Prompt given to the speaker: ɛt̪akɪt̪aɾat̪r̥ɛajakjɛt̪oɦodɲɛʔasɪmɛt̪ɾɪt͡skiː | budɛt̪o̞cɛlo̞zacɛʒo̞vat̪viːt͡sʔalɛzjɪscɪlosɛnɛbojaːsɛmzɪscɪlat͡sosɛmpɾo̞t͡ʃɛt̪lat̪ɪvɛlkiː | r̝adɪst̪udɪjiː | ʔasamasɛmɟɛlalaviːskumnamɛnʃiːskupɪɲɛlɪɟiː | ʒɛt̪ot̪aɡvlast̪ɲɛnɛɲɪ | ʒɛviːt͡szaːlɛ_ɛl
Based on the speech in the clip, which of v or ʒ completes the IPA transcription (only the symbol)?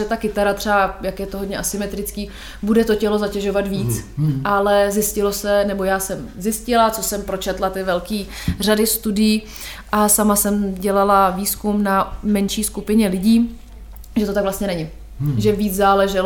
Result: ʒ